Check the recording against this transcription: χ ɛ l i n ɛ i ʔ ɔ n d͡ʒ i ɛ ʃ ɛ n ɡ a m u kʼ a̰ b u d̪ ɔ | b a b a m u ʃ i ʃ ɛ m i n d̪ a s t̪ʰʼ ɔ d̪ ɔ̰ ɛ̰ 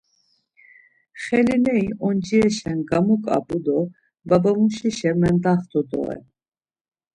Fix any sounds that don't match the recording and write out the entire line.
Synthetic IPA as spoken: χ ɛ l i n ɛ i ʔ ɔ n d͡ʒ i ɛ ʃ ɛ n ɡ a m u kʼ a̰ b u d̪ ɔ | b a b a m u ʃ i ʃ ɛ m ɛ n d̪ a χ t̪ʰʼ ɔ d̪ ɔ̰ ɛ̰